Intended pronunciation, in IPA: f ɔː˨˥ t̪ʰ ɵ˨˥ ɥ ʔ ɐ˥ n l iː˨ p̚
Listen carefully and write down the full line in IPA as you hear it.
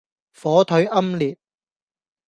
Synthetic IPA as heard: f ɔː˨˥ t̪ʰ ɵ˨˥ ɥ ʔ ɐ˥ m l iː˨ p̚